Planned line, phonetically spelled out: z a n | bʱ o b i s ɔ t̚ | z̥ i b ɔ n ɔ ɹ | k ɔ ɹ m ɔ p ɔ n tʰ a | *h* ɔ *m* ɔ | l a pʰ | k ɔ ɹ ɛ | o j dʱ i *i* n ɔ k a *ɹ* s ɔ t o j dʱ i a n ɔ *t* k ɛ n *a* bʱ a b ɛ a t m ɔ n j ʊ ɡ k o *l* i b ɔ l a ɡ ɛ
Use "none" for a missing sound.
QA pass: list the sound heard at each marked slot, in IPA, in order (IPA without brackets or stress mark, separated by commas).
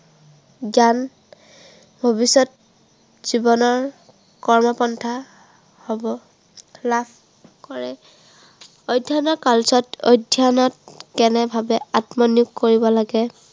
h, b, a, l, t, ɛ, ɹ